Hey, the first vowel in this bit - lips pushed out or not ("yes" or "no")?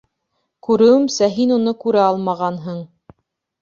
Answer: yes